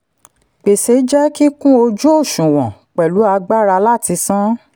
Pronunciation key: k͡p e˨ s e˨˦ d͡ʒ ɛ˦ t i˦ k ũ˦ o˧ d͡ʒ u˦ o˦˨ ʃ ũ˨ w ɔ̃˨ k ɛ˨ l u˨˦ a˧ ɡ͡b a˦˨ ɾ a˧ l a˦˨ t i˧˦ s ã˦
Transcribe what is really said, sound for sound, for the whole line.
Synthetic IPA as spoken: k͡p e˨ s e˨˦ d͡ʒ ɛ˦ k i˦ k ũ˦ o˧ d͡ʒ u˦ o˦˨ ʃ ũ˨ w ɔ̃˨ k͡p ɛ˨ l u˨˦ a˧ ɡ͡b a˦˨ ɾ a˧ l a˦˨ t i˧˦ s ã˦